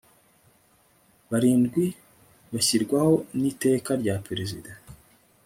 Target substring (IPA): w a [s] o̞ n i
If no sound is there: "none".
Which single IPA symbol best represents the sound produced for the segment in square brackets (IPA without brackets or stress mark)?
h